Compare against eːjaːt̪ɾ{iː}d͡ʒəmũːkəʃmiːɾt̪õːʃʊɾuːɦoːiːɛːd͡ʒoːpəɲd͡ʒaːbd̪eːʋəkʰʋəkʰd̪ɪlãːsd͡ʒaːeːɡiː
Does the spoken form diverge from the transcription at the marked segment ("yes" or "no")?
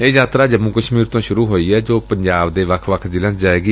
yes